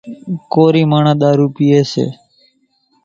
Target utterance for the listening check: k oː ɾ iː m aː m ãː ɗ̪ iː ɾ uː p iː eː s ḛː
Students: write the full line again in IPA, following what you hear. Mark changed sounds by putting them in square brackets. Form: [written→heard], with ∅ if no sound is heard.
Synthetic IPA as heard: k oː ɾ iː m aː [m→ɳ] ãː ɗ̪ [iː→aː] ɾ uː p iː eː s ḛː

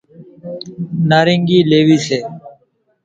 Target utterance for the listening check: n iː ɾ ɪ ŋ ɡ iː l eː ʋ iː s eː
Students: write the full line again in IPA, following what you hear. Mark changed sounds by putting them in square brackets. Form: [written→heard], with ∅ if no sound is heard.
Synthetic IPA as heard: n [iː→aː] ɾ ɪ ŋ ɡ iː l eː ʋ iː s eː

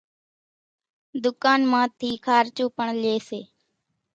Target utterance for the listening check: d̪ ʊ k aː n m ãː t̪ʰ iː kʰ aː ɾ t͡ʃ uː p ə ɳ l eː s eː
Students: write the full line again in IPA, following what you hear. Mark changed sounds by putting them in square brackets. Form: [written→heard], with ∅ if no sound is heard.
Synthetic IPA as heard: d̪ ʊ k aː n m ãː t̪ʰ iː kʰ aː ɾ t͡ʃ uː p ə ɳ l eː s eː

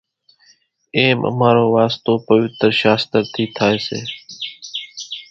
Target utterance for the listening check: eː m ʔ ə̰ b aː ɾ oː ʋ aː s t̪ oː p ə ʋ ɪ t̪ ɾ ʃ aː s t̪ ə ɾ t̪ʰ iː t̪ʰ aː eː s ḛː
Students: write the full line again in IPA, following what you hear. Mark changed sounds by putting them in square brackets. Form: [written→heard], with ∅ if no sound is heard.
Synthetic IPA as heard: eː m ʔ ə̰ [b→m] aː ɾ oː ʋ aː s t̪ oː p ə ʋ ɪ t̪ ɾ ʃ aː s t̪ ə ɾ t̪ʰ iː t̪ʰ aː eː s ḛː

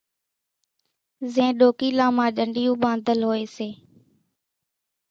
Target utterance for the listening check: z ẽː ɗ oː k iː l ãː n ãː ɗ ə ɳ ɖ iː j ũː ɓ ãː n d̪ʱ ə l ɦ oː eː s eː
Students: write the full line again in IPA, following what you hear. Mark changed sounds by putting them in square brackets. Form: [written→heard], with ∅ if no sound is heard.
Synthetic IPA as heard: z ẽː ɗ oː k iː l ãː [n→m] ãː ɗ ə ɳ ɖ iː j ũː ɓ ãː n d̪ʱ ə l ɦ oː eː s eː

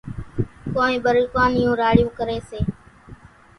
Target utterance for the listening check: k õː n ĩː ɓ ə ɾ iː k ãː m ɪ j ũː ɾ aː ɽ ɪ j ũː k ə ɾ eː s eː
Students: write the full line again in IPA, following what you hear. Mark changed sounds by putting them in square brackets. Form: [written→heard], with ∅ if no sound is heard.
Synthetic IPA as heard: k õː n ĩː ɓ ə ɾ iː k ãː [m→n] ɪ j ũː ɾ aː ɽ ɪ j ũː k ə ɾ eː s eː

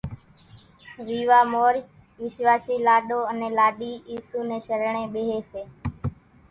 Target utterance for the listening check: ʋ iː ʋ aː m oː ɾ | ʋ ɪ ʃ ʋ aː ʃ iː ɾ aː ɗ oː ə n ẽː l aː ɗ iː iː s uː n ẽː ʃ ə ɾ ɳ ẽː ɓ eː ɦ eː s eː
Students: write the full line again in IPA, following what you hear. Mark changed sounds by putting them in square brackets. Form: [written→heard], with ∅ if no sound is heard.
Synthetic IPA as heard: ʋ iː ʋ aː m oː ɾ | ʋ ɪ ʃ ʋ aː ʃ iː [ɾ→l] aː ɗ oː ə n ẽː l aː ɗ iː iː s uː n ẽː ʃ ə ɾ ɳ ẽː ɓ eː ɦ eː s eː

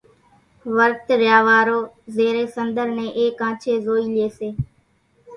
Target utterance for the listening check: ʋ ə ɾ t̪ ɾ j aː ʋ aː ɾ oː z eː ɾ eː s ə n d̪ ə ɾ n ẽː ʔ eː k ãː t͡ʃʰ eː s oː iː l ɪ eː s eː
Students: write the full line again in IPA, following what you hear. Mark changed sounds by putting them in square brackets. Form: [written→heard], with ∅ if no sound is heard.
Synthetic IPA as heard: ʋ ə ɾ t̪ ɾ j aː ʋ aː ɾ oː z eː ɾ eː s ə n d̪ ə ɾ n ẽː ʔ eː k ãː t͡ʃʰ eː [s→z] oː iː l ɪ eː s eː

